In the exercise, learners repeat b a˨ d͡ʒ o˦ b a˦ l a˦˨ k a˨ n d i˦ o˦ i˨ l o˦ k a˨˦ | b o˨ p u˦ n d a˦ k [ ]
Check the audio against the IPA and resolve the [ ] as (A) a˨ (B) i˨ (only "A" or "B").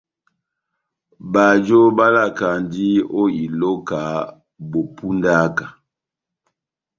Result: A